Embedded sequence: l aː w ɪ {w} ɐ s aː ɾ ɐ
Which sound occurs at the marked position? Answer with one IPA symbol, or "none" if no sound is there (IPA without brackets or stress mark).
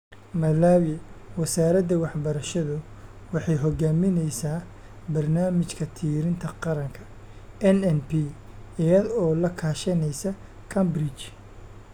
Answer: w